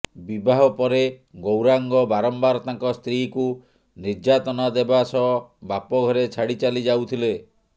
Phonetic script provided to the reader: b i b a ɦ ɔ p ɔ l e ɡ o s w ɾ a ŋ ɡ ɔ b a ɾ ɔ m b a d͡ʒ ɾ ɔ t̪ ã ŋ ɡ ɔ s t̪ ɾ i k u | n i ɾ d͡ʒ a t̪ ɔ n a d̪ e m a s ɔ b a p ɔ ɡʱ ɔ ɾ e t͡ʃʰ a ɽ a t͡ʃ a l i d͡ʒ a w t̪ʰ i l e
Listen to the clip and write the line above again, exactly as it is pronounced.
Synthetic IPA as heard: b i b a ɦ ɔ p ɔ ɾ e ɡ o w ɾ a ŋ ɡ ɔ b a ɾ ɔ m b a ɾ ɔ t̪ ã ŋ k ɔ s t̪ ɾ i k u | n i ɾ d͡ʒ a t̪ ɔ n a d̪ e b a s ɔ b a p ɔ ɡʱ ɔ ɾ e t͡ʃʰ a ɽ i t͡ʃ a l i d͡ʒ a w t̪ʰ i l e